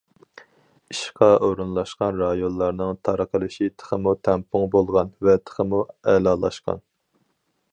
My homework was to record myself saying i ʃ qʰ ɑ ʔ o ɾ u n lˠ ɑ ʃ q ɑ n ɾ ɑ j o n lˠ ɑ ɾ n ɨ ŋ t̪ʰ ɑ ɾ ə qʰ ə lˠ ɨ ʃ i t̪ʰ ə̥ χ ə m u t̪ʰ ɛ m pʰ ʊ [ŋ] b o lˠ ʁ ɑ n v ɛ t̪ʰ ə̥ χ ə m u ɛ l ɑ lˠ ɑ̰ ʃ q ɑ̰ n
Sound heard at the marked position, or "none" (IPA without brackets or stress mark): ŋ